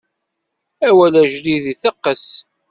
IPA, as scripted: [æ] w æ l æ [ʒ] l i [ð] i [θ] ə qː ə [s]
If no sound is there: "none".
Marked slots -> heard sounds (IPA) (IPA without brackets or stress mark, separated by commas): æ, ʒ, ð, θ, s